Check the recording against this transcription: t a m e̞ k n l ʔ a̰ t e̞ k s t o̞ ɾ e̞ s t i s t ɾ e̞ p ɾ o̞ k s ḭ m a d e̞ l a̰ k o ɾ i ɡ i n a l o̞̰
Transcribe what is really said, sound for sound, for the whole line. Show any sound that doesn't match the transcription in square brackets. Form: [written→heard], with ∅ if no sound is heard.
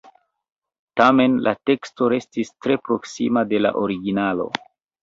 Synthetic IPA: t a m e̞ [k→∅] n l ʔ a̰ t e̞ k s t o̞ ɾ e̞ s t i s t ɾ e̞ p ɾ o̞ k s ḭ m a d e̞ l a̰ [k→ʔ] o ɾ i ɡ i n a l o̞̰